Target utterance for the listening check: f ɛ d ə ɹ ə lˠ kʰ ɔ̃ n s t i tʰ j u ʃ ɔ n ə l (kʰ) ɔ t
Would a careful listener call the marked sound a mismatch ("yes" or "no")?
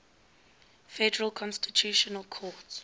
no